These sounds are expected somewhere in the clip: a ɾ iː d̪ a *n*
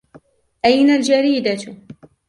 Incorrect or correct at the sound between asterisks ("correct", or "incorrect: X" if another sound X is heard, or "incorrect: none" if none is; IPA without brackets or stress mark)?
incorrect: none